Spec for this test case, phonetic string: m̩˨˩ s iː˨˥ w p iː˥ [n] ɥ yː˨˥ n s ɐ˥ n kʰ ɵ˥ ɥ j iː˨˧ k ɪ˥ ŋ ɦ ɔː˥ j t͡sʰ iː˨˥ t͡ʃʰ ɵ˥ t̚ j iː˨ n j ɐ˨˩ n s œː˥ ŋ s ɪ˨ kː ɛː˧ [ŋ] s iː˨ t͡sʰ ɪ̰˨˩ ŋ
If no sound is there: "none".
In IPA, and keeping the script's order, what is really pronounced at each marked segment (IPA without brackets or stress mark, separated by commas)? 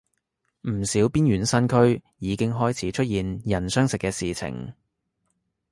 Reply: n, none